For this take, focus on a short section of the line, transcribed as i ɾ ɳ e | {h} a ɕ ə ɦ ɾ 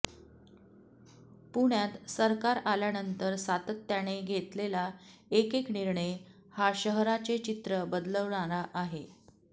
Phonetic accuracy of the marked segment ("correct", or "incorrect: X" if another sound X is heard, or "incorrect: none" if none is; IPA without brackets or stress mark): correct